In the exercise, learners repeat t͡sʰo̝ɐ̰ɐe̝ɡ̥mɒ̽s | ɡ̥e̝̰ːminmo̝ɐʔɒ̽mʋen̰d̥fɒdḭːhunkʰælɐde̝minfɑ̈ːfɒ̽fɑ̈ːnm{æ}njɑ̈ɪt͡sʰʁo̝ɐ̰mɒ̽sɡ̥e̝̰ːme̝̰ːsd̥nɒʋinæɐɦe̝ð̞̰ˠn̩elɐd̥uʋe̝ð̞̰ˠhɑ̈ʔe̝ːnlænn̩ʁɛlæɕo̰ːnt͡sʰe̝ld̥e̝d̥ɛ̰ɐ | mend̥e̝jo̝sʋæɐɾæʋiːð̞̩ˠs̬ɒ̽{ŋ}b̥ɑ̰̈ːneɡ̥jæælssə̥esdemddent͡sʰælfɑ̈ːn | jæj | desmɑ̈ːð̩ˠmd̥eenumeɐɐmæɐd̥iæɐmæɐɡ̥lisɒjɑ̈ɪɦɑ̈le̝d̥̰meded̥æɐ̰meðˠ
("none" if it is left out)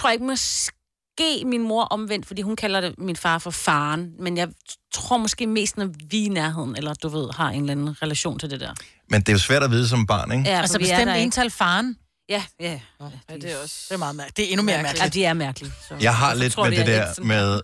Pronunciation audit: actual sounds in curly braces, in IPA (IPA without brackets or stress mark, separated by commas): e, m